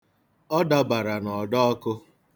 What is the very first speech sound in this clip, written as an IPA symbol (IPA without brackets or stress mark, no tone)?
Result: ɔ